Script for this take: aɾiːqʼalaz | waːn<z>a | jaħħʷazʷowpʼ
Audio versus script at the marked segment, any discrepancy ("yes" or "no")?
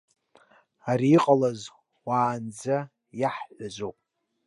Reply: yes